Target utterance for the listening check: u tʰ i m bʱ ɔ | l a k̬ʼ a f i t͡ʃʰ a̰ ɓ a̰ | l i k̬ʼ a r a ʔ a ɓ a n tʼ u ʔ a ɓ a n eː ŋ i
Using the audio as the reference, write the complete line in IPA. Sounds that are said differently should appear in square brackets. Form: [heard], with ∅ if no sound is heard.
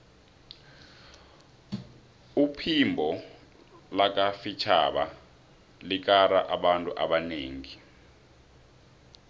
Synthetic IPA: u [pʰ] i m bʱ ɔ | l a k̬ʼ a f i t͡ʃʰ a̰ ɓ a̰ | l i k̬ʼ a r a ʔ a ɓ a n tʼ u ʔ a ɓ a n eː ŋ i